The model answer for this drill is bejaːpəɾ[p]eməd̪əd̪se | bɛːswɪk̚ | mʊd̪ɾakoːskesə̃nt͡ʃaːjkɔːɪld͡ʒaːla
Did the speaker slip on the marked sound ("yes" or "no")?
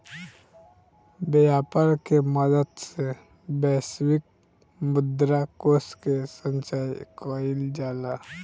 yes